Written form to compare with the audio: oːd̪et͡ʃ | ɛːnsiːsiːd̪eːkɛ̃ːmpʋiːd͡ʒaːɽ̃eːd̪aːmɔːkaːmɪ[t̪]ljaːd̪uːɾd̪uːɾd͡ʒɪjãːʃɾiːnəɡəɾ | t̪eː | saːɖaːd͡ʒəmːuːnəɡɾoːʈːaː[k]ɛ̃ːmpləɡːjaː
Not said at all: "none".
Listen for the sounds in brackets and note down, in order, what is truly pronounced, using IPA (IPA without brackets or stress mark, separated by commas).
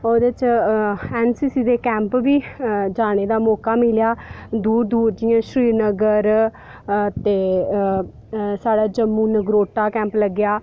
none, k